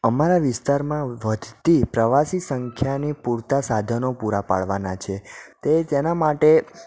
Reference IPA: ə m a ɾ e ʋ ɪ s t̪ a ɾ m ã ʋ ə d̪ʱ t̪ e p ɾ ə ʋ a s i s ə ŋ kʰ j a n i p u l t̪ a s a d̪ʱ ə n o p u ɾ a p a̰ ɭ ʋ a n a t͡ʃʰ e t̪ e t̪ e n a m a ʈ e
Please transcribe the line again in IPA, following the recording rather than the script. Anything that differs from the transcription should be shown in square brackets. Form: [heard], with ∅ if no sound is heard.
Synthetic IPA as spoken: ə m a ɾ [a] ʋ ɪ s t̪ a ɾ m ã ʋ ə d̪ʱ t̪ [i] p ɾ ə ʋ a s i s ə ŋ kʰ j a n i p u [ɾ] t̪ a s a d̪ʱ ə n o p u ɾ a p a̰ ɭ ʋ a n a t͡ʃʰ e t̪ e t̪ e n a m a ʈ e